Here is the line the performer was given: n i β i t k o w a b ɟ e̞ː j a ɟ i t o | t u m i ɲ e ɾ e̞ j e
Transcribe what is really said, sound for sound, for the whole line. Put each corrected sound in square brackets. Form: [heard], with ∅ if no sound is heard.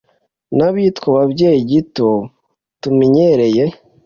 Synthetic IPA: n [a] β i t k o [β] a b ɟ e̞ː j [i] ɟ i t o | t u m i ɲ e ɾ e̞ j e